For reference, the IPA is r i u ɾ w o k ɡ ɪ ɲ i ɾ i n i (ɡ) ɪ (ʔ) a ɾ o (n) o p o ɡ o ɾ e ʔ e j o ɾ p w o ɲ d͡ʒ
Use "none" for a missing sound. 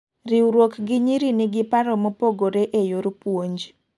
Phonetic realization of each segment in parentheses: ɡ, p, m

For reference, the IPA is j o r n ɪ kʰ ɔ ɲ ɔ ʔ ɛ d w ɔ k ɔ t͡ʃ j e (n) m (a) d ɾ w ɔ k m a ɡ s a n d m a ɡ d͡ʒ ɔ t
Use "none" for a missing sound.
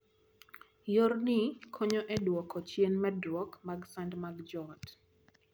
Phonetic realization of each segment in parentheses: n, ɛ

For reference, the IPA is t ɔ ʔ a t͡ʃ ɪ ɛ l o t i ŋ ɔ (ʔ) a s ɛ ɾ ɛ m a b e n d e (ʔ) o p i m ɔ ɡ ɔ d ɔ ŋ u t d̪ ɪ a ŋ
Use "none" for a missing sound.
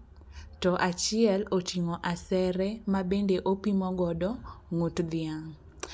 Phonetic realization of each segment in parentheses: ʔ, ʔ

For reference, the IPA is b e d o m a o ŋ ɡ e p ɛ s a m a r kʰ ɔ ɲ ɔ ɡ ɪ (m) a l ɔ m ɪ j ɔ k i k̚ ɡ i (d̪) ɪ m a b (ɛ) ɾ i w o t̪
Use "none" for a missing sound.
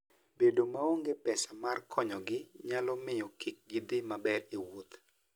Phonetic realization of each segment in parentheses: ɲ, d̪, ɛ

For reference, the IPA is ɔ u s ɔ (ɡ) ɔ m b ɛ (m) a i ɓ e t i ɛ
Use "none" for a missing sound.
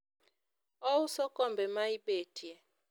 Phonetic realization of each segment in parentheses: k, m

